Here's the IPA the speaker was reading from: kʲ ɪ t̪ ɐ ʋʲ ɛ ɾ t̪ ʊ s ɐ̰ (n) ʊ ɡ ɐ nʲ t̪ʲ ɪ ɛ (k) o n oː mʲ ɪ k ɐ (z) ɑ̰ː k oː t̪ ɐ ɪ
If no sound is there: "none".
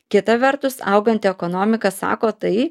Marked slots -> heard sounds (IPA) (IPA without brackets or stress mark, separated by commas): none, k, s